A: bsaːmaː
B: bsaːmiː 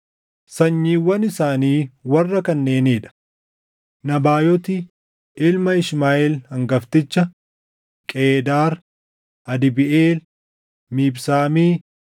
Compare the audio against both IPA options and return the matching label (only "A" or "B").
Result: B